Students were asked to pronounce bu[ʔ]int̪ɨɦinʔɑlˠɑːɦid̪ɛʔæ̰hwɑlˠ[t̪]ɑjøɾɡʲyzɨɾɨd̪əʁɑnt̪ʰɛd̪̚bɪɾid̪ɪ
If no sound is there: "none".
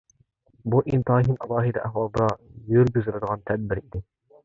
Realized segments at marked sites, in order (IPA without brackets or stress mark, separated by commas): ʔ, d̪